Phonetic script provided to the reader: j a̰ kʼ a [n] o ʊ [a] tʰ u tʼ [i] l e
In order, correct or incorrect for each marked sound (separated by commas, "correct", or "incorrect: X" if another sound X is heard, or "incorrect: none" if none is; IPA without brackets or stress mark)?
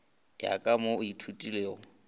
incorrect: m, incorrect: i, correct